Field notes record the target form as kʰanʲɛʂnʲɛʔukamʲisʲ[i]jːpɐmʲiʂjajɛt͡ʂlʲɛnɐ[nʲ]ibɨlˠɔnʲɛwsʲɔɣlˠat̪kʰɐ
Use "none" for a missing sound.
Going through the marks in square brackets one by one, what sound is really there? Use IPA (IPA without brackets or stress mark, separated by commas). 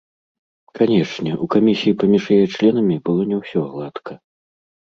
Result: i, mʲ